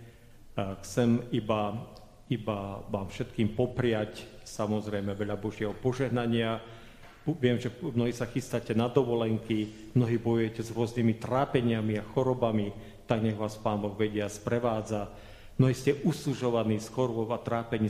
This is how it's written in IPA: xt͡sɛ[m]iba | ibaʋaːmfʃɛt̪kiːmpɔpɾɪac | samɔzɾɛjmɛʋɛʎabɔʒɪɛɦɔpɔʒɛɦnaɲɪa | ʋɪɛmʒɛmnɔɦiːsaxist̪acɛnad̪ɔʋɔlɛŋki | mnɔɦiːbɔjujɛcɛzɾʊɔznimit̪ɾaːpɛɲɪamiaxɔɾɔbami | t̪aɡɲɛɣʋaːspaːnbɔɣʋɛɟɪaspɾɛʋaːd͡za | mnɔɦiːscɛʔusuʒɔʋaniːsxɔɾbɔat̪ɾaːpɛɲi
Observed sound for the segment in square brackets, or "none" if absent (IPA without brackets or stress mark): m